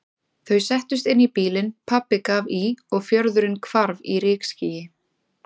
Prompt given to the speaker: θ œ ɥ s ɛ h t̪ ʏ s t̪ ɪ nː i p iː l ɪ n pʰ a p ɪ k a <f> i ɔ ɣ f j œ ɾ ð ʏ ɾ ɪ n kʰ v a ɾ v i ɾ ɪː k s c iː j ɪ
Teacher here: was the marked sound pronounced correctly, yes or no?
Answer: no